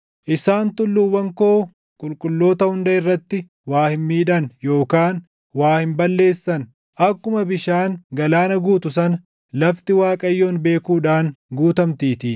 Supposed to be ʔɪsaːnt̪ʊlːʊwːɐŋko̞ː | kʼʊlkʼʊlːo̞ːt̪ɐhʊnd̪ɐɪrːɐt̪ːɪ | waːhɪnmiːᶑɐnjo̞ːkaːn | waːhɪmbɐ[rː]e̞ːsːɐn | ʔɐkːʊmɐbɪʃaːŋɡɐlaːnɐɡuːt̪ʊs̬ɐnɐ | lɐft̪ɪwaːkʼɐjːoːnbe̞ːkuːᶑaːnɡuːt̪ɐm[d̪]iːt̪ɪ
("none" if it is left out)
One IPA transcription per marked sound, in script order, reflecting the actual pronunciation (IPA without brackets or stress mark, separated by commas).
lː, t̪